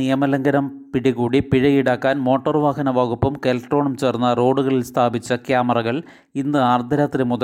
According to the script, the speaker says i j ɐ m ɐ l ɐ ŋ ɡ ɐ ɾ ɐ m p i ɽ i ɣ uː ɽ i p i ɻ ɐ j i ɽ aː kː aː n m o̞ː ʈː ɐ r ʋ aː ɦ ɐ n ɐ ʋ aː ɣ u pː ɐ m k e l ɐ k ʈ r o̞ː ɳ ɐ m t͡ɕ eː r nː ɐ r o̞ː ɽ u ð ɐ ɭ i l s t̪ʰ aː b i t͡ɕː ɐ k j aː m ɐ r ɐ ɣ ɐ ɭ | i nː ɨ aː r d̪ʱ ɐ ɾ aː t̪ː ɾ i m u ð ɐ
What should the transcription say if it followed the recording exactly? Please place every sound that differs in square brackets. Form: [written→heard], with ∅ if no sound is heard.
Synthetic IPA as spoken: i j ɐ m ɐ l ɐ ŋ ɡ ɐ ɾ ɐ m p i ɽ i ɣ uː ɽ i p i ɻ ɐ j i ɽ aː kː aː n m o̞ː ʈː ɐ r ʋ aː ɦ ɐ n ɐ ʋ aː ɣ u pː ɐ m k e l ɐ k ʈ r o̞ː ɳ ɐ m t͡ɕ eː r nː ɐ r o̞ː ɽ u [ð→ɣ] ɐ ɭ i l s t̪ʰ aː b i t͡ɕː ɐ k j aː m ɐ r ɐ ɣ ɐ ɭ | i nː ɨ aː r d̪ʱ ɐ ɾ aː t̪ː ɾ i m u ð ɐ